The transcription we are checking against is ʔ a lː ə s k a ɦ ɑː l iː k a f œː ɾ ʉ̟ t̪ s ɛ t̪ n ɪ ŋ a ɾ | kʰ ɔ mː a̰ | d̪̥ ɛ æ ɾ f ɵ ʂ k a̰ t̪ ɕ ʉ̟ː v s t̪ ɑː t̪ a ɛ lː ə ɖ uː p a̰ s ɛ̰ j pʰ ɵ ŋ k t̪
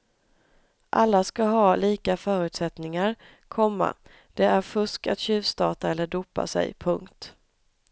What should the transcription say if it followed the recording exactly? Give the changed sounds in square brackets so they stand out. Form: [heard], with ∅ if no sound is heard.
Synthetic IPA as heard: ʔ a lː [a] s k a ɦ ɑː l iː k a f œː ɾ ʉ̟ t̪ s ɛ t̪ n ɪ ŋ a ɾ | kʰ ɔ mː a̰ | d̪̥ ɛ æ ɾ f ɵ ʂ k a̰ t̪ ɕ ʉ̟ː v s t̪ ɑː t̪ a ɛ lː ə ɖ uː p a̰ s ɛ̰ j pʰ ɵ ŋ k t̪